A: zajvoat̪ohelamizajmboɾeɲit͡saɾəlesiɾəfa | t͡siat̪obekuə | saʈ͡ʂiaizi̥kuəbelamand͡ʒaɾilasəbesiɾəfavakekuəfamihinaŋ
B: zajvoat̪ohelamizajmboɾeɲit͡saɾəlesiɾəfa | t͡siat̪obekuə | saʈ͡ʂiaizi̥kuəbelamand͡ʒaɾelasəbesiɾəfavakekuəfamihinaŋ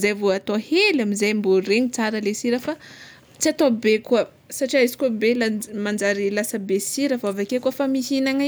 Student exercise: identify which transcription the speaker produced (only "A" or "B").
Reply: A